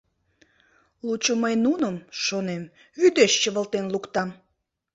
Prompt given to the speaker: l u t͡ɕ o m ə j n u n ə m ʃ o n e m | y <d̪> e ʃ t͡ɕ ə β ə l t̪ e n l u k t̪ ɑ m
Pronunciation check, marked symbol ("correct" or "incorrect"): correct